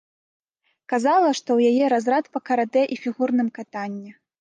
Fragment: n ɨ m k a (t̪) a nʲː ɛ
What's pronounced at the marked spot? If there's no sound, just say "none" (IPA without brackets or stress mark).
t̪